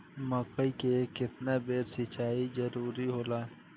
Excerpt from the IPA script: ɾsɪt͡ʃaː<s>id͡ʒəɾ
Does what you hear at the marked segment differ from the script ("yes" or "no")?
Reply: yes